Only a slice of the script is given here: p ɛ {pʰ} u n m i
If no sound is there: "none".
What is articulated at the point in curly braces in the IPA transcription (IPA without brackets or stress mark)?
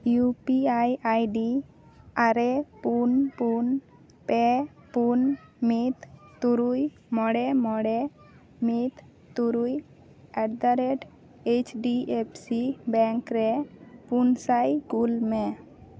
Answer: p